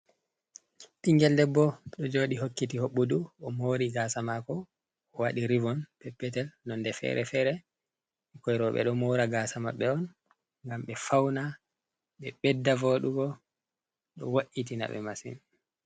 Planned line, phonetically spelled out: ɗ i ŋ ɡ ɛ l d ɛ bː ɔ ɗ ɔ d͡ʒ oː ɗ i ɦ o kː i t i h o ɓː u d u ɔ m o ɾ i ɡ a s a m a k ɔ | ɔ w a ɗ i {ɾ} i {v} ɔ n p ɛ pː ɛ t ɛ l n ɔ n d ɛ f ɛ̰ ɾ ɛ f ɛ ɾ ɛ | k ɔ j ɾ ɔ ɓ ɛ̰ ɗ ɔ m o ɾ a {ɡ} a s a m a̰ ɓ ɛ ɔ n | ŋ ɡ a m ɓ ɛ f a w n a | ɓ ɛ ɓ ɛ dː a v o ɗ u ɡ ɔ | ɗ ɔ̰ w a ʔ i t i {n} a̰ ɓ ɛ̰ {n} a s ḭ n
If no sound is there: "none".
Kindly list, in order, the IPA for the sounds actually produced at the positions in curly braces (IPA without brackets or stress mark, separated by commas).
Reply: ɾ, v, ɡ, n, m